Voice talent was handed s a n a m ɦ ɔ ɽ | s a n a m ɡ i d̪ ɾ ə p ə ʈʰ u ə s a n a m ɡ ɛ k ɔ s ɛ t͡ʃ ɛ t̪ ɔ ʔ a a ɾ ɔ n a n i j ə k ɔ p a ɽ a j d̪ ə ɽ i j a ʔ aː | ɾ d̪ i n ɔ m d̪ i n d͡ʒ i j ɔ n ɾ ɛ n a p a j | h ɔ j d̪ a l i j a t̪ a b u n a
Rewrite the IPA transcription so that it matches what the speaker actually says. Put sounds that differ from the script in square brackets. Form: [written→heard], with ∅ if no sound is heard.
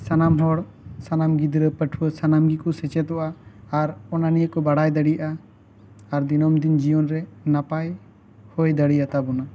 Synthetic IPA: s a n a m ɦ ɔ ɽ | s a n a m ɡ i d̪ ɾ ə p ə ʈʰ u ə s a n a m ɡ [ɛ→i] k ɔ s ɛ t͡ʃ ɛ t̪ ɔ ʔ a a ɾ ɔ n a n i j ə k ɔ [p→b] a ɽ a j d̪ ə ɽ i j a ʔ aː | ɾ d̪ i n ɔ m d̪ i n d͡ʒ i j ɔ n ɾ ɛ n a p a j | h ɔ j d̪ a [l→ɽ] i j a t̪ a b [u→ɔ] n a